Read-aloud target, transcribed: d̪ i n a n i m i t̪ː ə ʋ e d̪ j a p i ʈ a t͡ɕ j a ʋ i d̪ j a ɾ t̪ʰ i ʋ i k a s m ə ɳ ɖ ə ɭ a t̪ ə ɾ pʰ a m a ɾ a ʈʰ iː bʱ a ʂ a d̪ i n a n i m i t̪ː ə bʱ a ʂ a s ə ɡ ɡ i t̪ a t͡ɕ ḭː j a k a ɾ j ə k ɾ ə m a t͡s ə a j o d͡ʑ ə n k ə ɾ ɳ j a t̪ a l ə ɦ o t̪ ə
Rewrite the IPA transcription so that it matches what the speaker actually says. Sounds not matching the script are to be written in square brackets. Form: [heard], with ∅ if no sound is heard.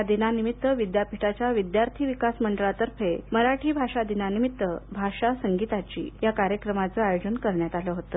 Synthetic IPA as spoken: d̪ i n a n i m i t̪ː ə ʋ [i] d̪ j a p i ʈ a t͡ɕ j a ʋ i d̪ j a ɾ t̪ʰ i ʋ i k a s m ə ɳ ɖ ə ɭ a t̪ ə ɾ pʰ [e] m [ə] ɾ a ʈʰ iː bʱ a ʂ a d̪ i n a n i m i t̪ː ə bʱ a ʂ a s ə [ŋ] ɡ i t̪ a t͡ɕ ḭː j a k a ɾ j ə k ɾ ə m a t͡s ə a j o d͡ʑ ə n k ə ɾ ɳ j a t̪ a l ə ɦ o t̪ ə

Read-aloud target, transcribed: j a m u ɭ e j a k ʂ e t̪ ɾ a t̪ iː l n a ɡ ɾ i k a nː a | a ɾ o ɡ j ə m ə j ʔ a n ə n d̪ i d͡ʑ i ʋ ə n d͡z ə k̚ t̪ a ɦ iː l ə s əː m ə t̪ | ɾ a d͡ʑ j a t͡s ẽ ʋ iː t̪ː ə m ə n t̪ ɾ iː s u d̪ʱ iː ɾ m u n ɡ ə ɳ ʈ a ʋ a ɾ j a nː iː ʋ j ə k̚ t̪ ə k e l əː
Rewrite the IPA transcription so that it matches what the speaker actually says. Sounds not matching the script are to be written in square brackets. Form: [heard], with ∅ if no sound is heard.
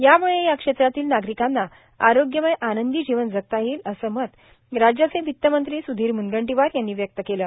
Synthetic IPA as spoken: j a m u ɭ e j a k ʂ e t̪ ɾ a t̪ iː l n a ɡ ɾ i k a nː a | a ɾ o ɡ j ə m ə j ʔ a n ə n d̪ i d͡ʑ i ʋ ə n d͡z ə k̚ t̪ a ɦ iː l ə s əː m ə t̪ | ɾ a d͡ʑ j a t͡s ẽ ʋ [i] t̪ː ə m ə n t̪ ɾ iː s u d̪ʱ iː ɾ m u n ɡ ə ɳ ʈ [i] ʋ a ɾ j a nː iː ʋ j ə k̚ t̪ ə k e l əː

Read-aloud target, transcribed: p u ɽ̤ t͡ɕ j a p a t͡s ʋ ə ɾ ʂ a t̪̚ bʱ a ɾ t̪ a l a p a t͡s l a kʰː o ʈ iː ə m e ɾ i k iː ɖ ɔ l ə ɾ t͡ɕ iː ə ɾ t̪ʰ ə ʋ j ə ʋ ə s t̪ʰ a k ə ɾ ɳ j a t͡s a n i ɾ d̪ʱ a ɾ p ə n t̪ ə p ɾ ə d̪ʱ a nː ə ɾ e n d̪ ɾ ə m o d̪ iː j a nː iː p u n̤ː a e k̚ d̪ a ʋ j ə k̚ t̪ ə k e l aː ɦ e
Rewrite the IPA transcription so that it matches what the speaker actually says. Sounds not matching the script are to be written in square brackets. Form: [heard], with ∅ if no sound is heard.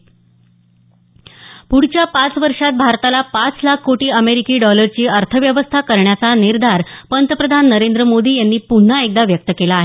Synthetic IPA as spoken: p u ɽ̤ t͡ɕ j a p a t͡s ʋ ə ɾ ʂ a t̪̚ bʱ a ɾ t̪ a l a p a t͡s l a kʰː o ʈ iː ə m e ɾ i k iː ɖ ɔ l ə ɾ t͡ɕ iː ə ɾ t̪ʰ ə ʋ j ə ʋ ə s t̪ʰ a k ə ɾ ɳ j a t͡s a n i ɾ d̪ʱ a ɾ p ə n t̪ ə p ɾ ə d̪ʱ a nː ə ɾ e n d̪ ɾ ə m o d̪ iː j a nː iː p u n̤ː a e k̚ d̪ a ʋ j ə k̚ t̪ ə k e l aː ɦ e

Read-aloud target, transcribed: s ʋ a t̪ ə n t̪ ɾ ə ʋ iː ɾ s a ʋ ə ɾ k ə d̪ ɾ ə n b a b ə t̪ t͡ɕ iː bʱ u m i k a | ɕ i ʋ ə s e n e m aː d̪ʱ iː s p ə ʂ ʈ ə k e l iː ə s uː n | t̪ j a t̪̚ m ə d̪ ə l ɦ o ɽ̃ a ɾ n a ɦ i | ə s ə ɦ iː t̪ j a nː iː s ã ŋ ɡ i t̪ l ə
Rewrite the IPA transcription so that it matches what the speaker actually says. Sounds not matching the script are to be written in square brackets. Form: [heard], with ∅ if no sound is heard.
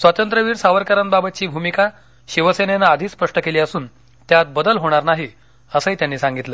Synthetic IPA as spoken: s ʋ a t̪ ə n t̪ ɾ ə ʋ iː ɾ s a ʋ ə ɾ k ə [∅] ɾ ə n b a b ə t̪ t͡ɕ iː bʱ u m i k a | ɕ i ʋ ə s e n e [n] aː d̪ʱ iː s p ə ʂ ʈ ə k e l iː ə s uː n | t̪ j a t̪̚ [b] ə d̪ ə l ɦ o ɽ̃ a ɾ n a ɦ i | ə s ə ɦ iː t̪ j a nː iː s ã ŋ ɡ i t̪ l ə

